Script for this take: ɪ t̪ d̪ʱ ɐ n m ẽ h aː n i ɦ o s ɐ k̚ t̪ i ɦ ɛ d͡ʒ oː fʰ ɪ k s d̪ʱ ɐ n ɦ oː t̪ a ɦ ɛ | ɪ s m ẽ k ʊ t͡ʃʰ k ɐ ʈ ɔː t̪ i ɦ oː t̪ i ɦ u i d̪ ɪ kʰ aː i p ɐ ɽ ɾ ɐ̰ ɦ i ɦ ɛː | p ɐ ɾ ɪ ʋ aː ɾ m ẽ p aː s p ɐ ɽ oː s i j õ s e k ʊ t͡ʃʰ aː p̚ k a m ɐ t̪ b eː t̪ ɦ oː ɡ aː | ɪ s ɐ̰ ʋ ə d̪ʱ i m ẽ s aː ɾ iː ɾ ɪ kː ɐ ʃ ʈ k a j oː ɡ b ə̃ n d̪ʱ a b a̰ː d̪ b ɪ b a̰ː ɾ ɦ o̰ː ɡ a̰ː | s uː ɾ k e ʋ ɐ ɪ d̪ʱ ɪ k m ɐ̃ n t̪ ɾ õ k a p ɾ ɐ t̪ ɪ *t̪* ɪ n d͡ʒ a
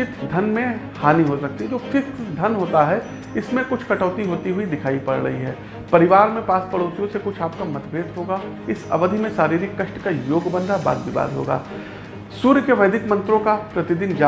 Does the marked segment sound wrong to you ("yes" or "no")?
yes